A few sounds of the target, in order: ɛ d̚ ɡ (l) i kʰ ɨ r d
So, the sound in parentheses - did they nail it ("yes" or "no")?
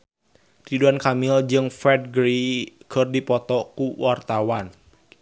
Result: no